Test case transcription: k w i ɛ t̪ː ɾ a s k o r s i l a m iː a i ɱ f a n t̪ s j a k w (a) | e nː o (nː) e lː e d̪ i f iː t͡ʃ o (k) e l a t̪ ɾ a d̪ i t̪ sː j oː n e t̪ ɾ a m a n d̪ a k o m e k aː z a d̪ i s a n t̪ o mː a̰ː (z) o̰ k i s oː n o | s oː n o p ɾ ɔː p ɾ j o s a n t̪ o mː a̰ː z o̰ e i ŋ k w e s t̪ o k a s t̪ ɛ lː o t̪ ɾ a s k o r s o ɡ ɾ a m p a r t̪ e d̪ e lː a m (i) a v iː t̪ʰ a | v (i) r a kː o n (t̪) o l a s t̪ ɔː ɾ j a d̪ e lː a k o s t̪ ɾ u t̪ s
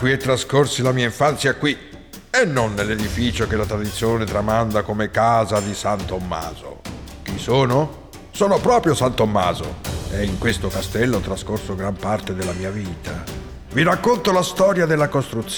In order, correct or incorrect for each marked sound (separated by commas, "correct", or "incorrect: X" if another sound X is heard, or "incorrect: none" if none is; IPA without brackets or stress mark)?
incorrect: i, correct, correct, correct, incorrect: iː, correct, correct